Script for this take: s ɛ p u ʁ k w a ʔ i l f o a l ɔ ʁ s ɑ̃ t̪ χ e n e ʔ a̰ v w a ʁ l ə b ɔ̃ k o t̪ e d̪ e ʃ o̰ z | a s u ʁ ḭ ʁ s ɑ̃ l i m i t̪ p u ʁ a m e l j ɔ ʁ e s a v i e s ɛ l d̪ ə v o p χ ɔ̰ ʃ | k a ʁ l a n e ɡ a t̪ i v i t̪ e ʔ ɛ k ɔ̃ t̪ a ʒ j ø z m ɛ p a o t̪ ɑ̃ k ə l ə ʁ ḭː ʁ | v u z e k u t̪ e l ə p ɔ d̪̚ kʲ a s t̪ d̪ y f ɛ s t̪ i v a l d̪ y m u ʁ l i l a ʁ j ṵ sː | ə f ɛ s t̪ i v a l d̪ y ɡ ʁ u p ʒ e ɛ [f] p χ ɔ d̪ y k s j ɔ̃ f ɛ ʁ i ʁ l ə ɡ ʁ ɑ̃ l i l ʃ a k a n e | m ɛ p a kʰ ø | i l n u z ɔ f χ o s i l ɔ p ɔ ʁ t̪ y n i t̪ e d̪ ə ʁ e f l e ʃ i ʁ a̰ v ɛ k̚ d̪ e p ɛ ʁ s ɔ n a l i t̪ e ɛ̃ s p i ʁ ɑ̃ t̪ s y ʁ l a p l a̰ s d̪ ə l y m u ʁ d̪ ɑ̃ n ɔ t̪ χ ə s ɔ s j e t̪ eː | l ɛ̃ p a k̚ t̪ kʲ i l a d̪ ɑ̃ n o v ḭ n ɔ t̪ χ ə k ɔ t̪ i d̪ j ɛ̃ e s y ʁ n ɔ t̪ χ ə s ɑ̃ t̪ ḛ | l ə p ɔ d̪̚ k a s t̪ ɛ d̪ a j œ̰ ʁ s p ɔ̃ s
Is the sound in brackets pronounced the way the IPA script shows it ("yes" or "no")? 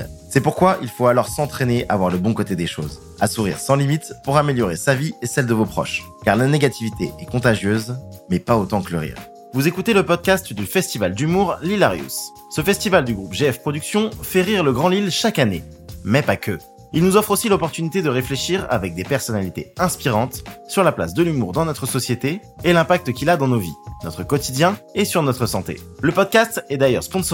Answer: yes